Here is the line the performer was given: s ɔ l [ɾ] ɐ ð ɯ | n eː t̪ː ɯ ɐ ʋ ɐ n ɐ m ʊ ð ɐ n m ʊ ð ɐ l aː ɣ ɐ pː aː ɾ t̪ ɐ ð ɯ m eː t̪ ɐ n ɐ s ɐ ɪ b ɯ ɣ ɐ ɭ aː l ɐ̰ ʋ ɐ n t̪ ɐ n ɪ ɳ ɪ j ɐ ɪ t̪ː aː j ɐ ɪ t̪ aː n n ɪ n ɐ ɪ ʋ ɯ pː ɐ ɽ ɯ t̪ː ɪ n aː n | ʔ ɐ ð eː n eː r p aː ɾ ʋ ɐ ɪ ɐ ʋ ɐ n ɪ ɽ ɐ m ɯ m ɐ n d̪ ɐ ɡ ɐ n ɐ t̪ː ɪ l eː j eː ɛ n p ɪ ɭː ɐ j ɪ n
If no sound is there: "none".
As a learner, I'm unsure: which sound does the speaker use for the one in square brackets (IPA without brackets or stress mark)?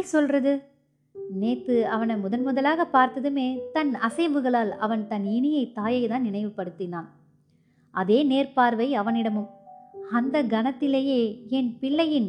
r